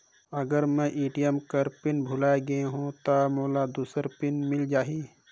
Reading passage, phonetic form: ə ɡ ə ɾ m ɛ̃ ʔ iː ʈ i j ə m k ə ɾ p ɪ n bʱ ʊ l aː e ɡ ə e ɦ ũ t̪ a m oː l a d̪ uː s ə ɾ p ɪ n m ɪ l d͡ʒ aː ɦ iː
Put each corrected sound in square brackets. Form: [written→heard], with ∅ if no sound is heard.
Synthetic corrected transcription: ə ɡ ə ɾ m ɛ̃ ʔ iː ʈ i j ə m k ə ɾ p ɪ n bʱ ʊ l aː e ɡ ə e ɦ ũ t̪ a m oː l a d̪ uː s ə ɾ p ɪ n m ɪ l d͡ʒ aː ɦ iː